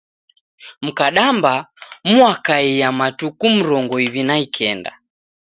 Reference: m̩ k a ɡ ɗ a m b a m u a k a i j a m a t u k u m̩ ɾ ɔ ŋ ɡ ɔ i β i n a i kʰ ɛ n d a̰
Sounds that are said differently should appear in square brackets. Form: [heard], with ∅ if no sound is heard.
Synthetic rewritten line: m̩ k a [∅] ɗ a m b a m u a k a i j a m a t u k u m̩ ɾ ɔ ŋ ɡ ɔ i β i n a i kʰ ɛ n d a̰